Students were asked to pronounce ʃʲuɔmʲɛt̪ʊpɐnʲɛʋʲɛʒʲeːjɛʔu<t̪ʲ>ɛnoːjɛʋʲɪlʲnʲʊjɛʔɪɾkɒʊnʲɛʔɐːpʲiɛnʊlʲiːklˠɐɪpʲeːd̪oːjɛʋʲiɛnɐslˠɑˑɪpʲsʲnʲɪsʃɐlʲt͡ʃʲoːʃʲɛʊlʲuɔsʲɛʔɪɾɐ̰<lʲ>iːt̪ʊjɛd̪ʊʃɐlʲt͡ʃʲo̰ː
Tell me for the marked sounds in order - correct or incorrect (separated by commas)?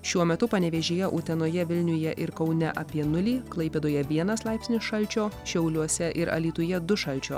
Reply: correct, correct